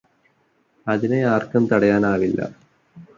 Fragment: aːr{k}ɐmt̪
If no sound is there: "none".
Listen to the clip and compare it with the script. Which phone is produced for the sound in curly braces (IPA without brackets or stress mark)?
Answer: k